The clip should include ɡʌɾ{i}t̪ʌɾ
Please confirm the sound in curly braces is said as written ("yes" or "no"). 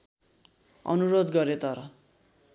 no